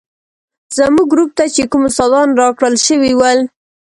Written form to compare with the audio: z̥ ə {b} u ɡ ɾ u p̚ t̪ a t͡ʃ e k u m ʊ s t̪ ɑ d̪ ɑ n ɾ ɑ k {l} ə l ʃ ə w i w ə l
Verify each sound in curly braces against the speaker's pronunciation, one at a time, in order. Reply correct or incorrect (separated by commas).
incorrect, incorrect